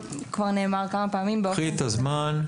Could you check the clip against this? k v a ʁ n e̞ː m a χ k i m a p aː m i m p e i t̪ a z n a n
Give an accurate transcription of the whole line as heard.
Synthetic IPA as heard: k v a ʁ n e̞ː m a ʁ k a m a p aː m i m b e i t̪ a z m a n